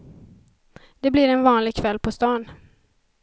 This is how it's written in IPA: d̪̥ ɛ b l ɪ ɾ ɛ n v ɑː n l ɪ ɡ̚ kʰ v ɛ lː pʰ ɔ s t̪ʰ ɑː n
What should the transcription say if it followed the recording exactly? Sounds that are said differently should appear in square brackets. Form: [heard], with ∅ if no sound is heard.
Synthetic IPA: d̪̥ ɛ b l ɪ ɾ ɛ n v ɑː n l ɪ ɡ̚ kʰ v ɛ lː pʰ ɔ s [t̪] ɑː n